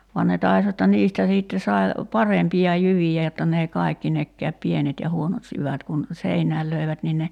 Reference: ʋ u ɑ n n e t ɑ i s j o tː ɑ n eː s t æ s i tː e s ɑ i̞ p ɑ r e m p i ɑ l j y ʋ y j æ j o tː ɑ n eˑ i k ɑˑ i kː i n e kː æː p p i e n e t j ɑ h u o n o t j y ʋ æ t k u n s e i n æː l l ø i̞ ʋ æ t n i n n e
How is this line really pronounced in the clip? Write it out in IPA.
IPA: ʋ u ɑ n n e t ɑ i s j o tː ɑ n iː s t æ s iː tː e s ɑ i̞ p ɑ r e m p i ɑ j y ʋ i j æ j o tː ɑ n eˑ i k ɑˑ i kː i n e kː æː p p i e n e t j ɑ h u o n o t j y ʋ æ t k u n s e i n æː l l ø i̞ ʋ æ t n i n n e